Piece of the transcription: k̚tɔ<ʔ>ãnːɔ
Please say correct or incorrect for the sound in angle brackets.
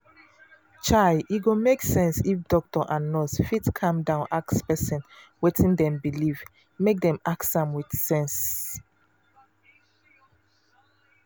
correct